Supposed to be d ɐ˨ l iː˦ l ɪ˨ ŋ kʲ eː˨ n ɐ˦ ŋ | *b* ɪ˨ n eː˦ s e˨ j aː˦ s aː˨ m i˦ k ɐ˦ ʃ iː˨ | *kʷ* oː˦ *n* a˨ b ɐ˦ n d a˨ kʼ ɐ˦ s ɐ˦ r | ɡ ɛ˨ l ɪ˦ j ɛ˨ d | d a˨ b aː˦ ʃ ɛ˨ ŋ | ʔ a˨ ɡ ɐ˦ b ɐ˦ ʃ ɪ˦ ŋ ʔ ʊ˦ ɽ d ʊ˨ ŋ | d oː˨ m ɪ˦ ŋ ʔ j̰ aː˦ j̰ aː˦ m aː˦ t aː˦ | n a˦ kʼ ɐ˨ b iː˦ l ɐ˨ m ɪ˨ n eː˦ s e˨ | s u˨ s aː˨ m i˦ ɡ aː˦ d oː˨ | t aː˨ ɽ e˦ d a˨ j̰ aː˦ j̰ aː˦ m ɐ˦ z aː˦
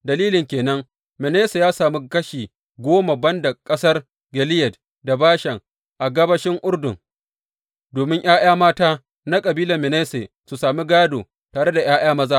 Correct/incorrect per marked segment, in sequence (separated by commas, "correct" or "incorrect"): incorrect, incorrect, incorrect